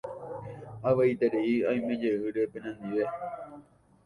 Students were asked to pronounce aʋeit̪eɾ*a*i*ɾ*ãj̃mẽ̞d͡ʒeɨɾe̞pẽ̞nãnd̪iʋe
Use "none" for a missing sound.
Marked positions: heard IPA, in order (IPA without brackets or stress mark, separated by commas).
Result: e, none